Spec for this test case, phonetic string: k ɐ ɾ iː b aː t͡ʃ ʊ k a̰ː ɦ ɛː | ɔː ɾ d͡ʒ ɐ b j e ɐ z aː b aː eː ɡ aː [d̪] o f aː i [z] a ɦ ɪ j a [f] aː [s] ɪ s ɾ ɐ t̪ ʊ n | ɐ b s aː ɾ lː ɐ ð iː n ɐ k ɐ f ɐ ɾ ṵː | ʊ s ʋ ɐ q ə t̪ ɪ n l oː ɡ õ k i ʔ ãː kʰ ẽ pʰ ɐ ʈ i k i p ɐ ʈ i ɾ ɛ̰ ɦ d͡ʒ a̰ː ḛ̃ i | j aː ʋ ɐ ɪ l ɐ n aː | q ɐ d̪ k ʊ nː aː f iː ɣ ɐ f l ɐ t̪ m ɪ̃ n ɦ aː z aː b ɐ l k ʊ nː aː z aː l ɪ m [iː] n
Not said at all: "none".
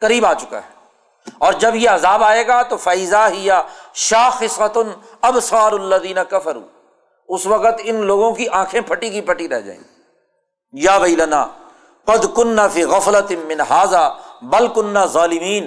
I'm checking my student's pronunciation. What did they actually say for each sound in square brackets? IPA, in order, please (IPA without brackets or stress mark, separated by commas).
t̪, z, ʃ, x, iː